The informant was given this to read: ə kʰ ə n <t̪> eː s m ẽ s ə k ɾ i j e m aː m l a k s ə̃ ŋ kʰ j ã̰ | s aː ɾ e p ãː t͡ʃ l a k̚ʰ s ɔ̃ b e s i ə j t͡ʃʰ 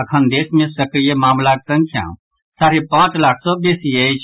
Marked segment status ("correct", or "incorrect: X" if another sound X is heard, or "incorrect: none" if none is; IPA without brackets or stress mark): incorrect: d̪